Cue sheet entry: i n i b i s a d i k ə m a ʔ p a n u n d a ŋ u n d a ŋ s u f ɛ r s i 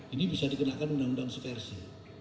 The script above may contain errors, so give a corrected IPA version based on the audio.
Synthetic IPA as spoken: i n i b i s a d i k ə n a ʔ k a n u n d a ŋ u n d a ŋ s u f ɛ r s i